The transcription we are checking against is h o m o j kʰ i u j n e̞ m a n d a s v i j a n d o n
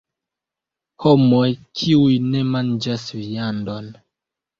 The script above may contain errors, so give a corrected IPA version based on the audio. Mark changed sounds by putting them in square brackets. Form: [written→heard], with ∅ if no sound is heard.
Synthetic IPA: h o m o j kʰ i u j n e̞ m a n [d→d͡ʒ] a s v i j a n d o n